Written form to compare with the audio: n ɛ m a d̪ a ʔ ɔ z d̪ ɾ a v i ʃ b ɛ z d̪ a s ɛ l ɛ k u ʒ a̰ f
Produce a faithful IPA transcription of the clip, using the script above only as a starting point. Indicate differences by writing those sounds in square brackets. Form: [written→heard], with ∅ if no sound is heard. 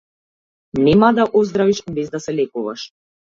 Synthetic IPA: n ɛ m a d̪ a ʔ ɔ z d̪ ɾ a v i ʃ b ɛ z d̪ a s ɛ l ɛ k u [ʒ→v] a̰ [f→ʃ]

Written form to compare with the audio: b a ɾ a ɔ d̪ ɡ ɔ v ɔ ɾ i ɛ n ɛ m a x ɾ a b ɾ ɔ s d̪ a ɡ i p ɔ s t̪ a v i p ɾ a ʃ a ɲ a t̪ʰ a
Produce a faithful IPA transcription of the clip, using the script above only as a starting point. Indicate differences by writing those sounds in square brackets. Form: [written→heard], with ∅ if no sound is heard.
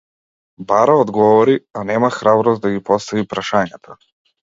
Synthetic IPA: b a ɾ a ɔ d̪ ɡ ɔ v ɔ ɾ i [ɛ→a] n ɛ m a x ɾ a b ɾ ɔ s d̪ a ɡ i p ɔ s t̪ a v i p ɾ a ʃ a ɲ a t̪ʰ a

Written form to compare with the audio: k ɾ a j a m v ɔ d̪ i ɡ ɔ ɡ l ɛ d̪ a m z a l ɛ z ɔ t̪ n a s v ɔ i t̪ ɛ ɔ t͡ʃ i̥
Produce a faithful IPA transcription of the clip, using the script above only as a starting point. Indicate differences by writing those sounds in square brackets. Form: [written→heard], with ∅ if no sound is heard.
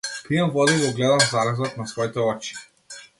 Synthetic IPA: k ɾ [a→i] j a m v ɔ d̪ i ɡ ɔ ɡ l ɛ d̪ a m z a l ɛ z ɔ t̪ n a s v ɔ i t̪ ɛ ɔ t͡ʃ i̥

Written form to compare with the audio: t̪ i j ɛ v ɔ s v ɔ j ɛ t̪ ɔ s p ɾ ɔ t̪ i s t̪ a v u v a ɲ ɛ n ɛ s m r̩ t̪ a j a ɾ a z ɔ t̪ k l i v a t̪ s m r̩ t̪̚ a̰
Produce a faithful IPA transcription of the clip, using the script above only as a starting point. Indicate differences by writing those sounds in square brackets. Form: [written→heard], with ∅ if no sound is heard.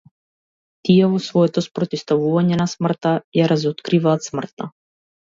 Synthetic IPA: t̪ i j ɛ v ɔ s v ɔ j ɛ t̪ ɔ s p ɾ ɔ t̪ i s t̪ a v u v a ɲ ɛ n [ɛ→a] s m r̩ t̪ a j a ɾ a z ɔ t̪ k [l→ɾ] i v a t̪ s m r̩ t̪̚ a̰

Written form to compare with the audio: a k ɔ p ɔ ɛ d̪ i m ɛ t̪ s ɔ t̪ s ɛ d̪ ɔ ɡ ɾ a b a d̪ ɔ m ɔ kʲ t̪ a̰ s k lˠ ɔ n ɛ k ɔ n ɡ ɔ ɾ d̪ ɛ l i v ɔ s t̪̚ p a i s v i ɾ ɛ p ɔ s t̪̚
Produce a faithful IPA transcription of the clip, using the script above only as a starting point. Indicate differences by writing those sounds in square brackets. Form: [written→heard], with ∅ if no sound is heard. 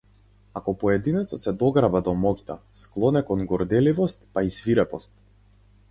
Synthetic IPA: a k ɔ p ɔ ɛ d̪ i [m→n] ɛ t̪ s ɔ t̪ s ɛ d̪ ɔ ɡ ɾ a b a d̪ ɔ m ɔ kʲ t̪ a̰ s k lˠ ɔ n ɛ k ɔ n ɡ ɔ ɾ d̪ ɛ l i v ɔ s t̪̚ p a i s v i ɾ ɛ p ɔ s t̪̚

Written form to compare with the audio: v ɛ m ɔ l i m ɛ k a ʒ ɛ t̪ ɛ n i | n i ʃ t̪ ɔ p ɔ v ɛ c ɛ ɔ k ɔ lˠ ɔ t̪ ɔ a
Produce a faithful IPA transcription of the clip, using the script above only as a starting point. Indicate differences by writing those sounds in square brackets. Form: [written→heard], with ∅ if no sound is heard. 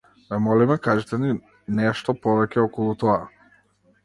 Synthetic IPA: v ɛ m ɔ l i m ɛ k a ʒ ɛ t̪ ɛ n i | n [i→ɛ] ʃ t̪ ɔ p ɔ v ɛ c ɛ ɔ k ɔ lˠ [ɔ→u] t̪ ɔ a

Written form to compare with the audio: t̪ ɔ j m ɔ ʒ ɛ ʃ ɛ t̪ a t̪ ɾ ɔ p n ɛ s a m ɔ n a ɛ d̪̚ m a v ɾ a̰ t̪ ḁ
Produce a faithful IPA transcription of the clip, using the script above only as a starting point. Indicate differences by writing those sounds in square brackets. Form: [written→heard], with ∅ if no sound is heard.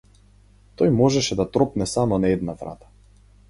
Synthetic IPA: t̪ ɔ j m ɔ ʒ ɛ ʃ ɛ [t̪→d̪] a t̪ ɾ ɔ p n ɛ s a m ɔ n a ɛ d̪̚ [m→n] a v ɾ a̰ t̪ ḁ

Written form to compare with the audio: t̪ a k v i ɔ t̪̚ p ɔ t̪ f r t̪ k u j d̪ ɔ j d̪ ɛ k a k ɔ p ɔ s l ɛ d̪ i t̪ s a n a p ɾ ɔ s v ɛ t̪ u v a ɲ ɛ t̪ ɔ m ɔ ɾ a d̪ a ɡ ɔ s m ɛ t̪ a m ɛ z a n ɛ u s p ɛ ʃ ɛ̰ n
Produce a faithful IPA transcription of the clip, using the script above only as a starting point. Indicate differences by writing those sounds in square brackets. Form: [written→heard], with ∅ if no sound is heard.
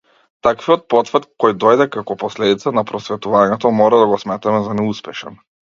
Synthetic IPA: t̪ a k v i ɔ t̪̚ p ɔ t̪ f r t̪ k [u→ɔ] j d̪ ɔ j d̪ ɛ k a k ɔ p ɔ s l ɛ d̪ i t̪ s a n a p ɾ ɔ s v ɛ t̪ u v a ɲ ɛ t̪ ɔ m ɔ ɾ a d̪ a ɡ ɔ s m ɛ t̪ a m ɛ z a n ɛ u s p ɛ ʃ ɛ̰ n

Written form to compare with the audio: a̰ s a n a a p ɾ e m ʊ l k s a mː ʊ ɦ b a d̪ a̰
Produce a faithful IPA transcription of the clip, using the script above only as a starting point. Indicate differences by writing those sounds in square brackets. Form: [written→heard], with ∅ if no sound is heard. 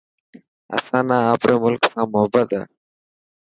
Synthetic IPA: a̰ s a n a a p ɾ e m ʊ l k s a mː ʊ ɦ b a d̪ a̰

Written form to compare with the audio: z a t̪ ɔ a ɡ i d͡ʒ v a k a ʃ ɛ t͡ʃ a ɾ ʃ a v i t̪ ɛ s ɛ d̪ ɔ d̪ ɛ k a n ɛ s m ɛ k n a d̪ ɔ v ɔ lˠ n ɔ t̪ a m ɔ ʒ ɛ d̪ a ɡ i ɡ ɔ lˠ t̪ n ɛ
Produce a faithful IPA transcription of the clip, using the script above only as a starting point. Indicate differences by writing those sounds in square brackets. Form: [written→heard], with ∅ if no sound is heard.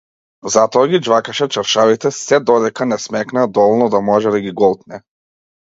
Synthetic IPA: z a t̪ ɔ a ɡ i d͡ʒ v a k a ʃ ɛ t͡ʃ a ɾ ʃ a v i t̪ ɛ s ɛ d̪ ɔ d̪ ɛ k a n ɛ s m ɛ k n a d̪ ɔ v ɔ lˠ n ɔ [t̪→d̪] a m ɔ ʒ ɛ d̪ a ɡ i ɡ ɔ lˠ t̪ n ɛ

